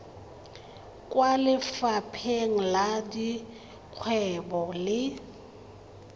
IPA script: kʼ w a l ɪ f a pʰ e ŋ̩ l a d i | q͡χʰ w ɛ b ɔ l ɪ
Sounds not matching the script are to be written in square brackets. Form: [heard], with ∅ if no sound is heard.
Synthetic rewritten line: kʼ w a l ɪ f a pʰ e ŋ̩ l a d i | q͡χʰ w ɛ b ɔ l ɪ